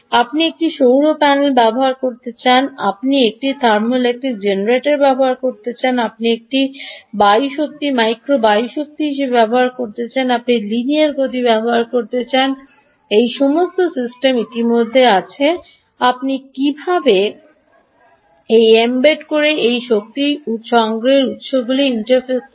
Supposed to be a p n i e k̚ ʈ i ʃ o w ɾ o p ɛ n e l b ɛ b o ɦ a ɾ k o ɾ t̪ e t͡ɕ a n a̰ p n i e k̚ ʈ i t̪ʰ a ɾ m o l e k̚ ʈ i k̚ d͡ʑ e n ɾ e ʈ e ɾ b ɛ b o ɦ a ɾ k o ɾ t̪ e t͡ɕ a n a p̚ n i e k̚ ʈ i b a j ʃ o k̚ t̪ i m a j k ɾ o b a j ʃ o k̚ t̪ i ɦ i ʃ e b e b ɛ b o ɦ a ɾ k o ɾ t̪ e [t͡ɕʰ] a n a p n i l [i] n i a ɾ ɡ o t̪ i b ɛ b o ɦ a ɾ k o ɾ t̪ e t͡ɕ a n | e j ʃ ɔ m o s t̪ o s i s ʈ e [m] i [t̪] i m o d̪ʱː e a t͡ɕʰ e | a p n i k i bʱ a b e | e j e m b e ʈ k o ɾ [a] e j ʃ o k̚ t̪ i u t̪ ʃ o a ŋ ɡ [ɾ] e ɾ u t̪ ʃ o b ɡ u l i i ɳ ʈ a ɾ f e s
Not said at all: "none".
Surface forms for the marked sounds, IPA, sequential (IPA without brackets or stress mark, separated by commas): t͡ɕ, i, m, t̪, e, ɾ